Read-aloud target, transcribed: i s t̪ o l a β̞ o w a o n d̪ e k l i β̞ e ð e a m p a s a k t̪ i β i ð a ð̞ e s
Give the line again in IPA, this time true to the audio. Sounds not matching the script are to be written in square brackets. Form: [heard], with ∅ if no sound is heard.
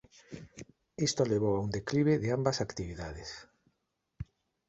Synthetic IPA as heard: i s t̪ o l [e] β̞ o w a [u] n d̪ e k l i β̞ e ð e a m [b] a s a k t̪ i β i ð a ð̞ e s